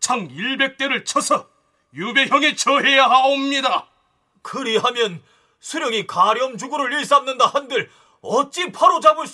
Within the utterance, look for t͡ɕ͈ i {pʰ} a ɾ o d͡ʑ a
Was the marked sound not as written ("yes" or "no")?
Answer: no